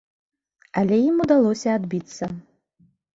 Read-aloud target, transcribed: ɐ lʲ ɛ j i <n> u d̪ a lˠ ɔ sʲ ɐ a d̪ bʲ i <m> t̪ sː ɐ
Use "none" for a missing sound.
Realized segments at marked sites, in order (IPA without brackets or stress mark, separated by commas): m, none